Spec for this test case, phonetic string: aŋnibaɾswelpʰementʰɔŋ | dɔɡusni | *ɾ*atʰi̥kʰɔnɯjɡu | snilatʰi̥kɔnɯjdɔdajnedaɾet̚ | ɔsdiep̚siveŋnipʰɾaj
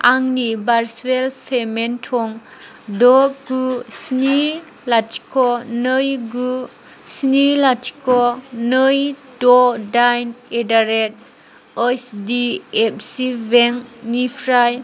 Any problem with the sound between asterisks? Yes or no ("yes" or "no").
yes